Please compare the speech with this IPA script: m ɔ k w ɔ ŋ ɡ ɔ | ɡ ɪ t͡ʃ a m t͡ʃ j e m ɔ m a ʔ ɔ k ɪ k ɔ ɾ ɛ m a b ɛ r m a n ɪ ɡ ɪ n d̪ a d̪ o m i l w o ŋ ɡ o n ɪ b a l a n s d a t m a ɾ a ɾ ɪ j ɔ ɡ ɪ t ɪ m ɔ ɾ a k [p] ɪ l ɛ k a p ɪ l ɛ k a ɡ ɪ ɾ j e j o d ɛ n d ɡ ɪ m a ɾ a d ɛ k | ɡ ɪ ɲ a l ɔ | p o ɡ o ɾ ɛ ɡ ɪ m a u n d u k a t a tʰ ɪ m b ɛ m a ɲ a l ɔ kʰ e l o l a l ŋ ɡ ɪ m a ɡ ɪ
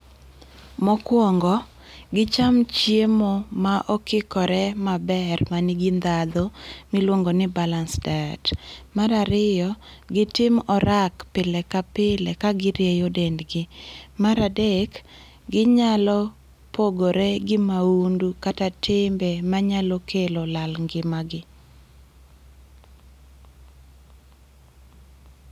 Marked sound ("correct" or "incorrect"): correct